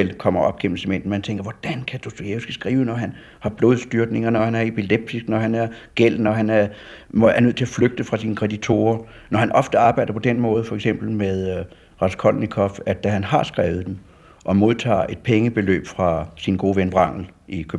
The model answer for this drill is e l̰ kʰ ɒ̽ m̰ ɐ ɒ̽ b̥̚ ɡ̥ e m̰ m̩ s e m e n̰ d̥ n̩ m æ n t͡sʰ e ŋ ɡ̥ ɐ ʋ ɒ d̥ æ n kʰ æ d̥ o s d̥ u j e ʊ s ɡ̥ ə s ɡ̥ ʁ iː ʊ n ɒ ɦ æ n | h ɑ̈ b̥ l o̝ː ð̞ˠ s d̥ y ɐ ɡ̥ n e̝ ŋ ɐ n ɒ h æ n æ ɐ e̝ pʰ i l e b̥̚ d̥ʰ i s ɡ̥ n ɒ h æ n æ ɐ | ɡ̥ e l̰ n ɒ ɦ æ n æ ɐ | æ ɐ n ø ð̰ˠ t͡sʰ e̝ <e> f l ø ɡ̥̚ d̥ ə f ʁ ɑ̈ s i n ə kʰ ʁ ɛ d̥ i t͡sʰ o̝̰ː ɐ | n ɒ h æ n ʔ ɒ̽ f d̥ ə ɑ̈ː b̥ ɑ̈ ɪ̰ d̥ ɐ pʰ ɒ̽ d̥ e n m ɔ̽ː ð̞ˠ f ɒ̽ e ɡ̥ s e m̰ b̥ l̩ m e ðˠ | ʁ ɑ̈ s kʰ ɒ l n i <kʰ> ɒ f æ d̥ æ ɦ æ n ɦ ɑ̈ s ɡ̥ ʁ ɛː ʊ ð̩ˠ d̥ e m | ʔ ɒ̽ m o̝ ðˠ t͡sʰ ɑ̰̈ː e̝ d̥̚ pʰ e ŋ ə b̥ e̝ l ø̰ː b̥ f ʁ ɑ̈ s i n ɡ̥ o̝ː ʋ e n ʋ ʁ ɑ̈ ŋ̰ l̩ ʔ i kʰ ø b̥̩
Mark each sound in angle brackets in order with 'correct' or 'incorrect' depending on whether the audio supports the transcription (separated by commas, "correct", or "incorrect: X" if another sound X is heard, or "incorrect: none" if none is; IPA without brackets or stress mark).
incorrect: æ, correct